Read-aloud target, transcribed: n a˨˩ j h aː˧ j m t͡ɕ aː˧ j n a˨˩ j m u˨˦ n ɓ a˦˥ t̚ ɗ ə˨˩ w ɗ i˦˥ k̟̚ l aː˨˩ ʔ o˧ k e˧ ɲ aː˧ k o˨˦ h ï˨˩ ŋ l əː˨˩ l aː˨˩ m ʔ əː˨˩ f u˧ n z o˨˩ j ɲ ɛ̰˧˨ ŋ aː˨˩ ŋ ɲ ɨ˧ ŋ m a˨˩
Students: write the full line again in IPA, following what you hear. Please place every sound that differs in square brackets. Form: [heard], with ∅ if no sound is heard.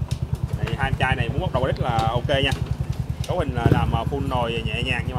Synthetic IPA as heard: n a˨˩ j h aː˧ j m t͡ɕ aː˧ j n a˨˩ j m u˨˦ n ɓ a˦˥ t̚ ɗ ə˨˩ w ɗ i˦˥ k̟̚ l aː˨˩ ʔ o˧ k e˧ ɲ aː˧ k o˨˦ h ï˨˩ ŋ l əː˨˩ l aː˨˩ m ʔ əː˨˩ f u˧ n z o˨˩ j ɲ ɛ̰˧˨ [ɲ] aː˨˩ ŋ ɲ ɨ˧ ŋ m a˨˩